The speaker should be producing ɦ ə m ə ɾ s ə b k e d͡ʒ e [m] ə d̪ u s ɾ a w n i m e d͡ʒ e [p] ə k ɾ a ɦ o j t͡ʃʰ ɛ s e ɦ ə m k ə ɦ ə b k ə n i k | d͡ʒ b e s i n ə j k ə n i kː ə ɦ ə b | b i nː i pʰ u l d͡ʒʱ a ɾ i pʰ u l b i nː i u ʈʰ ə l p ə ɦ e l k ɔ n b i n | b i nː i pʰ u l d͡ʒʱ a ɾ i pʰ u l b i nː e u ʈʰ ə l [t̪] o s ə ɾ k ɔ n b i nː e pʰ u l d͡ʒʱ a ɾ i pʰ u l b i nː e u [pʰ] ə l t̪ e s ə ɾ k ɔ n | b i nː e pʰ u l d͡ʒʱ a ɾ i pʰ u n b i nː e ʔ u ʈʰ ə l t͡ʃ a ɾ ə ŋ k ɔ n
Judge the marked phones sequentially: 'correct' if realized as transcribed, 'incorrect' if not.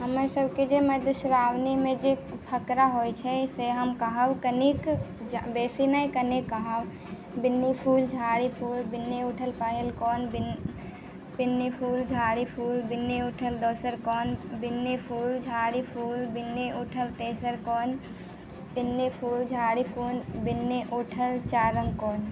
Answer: correct, incorrect: pʰ, incorrect: d̪, incorrect: ʈʰ

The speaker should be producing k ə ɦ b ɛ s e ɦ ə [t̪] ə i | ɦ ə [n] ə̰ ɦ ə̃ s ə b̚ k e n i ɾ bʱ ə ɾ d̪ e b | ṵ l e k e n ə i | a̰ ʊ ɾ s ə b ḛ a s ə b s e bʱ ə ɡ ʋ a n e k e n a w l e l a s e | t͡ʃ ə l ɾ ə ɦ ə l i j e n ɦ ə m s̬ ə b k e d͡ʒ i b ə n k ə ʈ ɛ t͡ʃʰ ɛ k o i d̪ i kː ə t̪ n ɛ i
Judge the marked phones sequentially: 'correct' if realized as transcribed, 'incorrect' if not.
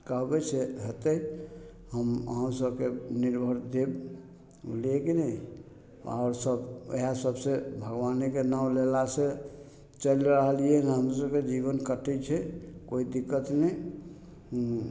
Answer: correct, incorrect: m

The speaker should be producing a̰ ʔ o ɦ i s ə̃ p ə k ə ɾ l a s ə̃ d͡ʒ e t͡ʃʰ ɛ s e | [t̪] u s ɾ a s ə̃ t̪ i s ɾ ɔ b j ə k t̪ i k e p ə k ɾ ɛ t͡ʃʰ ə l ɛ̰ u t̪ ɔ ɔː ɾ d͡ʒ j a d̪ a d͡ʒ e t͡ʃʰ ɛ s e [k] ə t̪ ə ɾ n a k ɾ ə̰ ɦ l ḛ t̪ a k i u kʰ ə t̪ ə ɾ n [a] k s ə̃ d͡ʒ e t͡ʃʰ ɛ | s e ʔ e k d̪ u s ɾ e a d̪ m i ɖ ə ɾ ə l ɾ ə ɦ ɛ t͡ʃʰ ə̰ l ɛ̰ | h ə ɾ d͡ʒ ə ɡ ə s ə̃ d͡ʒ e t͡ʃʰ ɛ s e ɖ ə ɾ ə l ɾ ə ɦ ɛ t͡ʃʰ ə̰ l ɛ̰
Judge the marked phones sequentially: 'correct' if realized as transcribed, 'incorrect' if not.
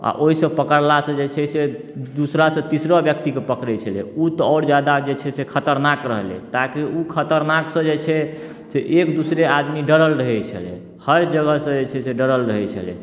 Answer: incorrect: d̪, incorrect: kʰ, correct

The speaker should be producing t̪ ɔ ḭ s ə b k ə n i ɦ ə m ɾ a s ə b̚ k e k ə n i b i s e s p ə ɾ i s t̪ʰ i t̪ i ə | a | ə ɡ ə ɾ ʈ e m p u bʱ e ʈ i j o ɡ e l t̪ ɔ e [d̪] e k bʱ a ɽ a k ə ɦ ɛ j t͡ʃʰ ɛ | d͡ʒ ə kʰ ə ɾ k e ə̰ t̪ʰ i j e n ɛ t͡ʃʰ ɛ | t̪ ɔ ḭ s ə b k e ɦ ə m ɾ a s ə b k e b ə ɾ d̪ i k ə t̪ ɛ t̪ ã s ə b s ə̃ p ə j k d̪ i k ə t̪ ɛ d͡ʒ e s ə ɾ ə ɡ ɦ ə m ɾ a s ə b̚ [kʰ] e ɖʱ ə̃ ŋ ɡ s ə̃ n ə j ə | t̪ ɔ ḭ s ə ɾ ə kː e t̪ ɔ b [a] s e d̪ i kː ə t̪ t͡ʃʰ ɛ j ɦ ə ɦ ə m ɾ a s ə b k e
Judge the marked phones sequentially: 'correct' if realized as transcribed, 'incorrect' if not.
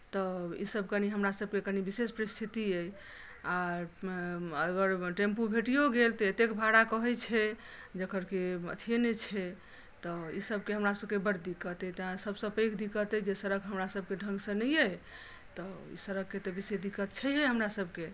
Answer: incorrect: t̪, incorrect: k, incorrect: i

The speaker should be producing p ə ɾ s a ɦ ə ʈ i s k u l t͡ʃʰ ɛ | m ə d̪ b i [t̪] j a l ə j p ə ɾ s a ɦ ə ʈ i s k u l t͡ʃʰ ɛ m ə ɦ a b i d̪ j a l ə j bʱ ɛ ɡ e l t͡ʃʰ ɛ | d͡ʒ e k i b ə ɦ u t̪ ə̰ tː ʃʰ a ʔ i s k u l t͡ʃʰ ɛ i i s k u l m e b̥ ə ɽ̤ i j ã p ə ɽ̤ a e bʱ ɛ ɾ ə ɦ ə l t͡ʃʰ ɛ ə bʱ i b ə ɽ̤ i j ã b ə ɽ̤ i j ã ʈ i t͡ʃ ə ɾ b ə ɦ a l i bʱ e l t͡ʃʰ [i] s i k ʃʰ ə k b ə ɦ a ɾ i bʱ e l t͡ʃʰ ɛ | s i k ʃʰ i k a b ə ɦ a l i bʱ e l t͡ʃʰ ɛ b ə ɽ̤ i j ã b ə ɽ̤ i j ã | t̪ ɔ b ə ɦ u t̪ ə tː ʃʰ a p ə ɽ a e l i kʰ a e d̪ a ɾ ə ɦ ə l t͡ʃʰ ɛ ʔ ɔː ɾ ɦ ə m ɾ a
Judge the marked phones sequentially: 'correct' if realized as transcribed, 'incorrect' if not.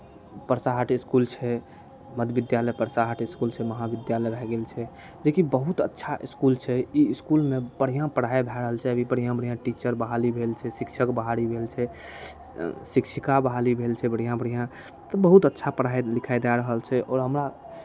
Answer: incorrect: d̪, incorrect: ɛ

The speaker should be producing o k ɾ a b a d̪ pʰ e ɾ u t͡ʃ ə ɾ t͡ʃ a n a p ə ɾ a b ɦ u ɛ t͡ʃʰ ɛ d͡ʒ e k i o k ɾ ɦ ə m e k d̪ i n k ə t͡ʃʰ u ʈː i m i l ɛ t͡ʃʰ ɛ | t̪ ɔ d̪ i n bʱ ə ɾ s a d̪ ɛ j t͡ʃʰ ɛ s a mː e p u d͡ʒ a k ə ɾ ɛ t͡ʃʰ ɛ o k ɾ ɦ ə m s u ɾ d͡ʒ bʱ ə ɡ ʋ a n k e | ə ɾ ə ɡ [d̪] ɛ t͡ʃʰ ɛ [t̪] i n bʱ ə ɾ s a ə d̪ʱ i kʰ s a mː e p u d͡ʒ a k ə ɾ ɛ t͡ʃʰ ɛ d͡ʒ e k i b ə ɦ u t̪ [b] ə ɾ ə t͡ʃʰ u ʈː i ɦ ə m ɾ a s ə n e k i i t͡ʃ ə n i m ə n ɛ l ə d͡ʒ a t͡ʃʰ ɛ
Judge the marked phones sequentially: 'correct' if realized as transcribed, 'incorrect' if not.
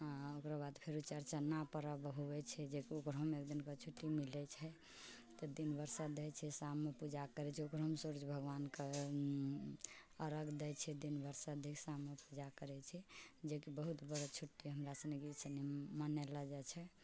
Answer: correct, incorrect: d̪, correct

